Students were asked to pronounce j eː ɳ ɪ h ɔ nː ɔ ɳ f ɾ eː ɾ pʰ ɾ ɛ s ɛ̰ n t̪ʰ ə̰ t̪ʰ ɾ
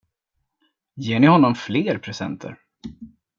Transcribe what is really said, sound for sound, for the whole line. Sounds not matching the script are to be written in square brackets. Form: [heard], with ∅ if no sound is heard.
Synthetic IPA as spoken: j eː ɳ ɪ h ɔ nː ɔ [m] f [l] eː ɾ pʰ ɾ ɛ s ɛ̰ n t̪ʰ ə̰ [∅] ɾ